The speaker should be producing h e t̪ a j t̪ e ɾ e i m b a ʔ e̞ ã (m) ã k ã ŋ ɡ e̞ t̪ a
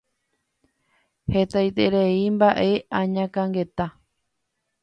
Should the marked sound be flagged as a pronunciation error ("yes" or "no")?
yes